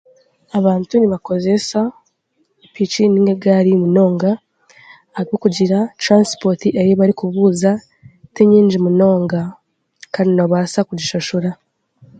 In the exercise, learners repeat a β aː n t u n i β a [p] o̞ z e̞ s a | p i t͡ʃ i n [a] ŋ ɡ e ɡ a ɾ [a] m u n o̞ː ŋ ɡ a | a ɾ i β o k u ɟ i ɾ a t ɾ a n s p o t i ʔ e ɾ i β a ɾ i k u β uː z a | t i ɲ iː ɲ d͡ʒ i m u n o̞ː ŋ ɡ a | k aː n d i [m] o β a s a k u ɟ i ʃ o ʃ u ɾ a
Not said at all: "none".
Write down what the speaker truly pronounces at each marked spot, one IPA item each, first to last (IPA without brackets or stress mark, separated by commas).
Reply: k, i, i, n